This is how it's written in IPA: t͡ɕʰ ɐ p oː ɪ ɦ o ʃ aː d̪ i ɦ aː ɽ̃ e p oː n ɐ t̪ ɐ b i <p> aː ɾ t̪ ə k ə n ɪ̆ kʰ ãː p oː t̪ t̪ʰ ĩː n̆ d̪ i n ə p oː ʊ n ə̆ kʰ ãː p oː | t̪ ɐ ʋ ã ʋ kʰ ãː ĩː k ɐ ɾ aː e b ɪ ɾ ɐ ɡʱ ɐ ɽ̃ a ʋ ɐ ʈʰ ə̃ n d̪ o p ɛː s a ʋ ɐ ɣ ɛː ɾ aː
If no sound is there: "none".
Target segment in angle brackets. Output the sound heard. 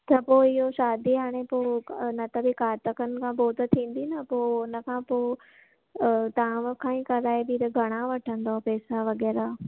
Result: k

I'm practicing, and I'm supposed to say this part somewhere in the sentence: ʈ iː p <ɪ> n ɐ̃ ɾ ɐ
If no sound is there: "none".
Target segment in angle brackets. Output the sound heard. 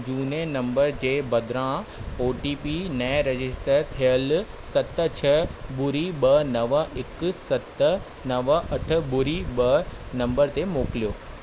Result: i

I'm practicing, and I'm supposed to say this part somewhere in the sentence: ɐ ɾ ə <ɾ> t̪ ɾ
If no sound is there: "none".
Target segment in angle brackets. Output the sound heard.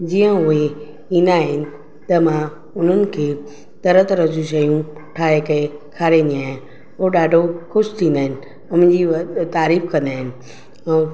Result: none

